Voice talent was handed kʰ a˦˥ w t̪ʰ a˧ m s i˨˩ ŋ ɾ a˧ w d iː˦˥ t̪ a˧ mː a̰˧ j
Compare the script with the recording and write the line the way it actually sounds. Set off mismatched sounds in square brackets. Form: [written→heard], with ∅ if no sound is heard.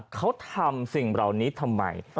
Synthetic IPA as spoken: kʰ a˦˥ w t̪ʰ a˧ m s i˨˩ ŋ ɾ [a˧→a˨˩] w [d→n] iː˦˥ [t̪→t̪ʰ] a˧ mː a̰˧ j